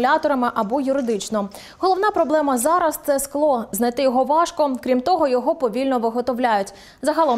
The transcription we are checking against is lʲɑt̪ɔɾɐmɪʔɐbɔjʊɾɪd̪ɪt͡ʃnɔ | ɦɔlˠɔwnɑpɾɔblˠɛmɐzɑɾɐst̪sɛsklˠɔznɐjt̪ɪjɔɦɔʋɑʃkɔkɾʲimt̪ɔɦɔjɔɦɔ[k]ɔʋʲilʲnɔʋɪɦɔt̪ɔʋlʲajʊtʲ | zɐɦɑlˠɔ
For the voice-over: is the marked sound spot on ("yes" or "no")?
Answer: no